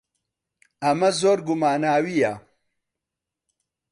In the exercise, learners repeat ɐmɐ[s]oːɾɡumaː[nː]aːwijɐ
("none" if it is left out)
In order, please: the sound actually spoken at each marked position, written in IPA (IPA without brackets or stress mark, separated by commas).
z, n